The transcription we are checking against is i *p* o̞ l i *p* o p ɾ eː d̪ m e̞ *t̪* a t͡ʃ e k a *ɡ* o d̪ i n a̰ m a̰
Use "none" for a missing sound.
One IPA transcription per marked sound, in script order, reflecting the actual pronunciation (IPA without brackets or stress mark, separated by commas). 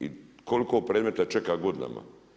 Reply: k, k, t̪, ɡ